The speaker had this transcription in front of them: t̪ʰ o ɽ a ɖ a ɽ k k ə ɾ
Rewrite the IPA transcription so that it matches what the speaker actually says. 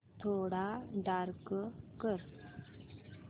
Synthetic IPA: t̪ʰ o ɽ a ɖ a ɾ k k ə ɾ